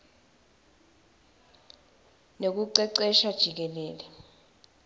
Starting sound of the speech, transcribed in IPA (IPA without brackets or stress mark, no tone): n